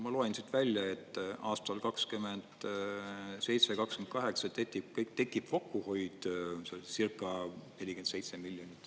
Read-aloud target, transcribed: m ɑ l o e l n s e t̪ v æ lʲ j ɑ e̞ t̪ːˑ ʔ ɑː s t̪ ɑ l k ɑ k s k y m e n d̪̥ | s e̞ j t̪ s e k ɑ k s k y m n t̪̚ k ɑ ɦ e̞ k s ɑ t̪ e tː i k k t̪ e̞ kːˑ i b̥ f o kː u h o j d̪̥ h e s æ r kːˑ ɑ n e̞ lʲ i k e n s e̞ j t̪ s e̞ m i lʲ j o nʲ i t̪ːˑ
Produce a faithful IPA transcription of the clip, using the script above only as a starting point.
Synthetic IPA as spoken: m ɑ l o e n s i t̪ v æ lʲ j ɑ e̞ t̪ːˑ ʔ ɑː s t̪ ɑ l k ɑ k s k y m e n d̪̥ | s e̞ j t̪ s e k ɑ k s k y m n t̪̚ k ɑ ɦ e̞ k s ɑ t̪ e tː i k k t̪ e̞ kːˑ i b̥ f o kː u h o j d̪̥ s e s i r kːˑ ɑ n e̞ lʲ i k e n s e̞ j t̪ s e̞ m i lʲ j o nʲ i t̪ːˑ